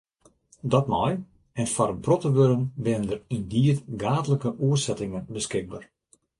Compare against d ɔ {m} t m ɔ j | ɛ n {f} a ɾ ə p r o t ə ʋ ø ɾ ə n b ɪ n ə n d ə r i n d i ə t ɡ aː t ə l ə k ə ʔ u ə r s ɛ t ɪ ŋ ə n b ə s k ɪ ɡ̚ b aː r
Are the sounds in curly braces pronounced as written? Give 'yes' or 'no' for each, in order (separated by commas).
no, yes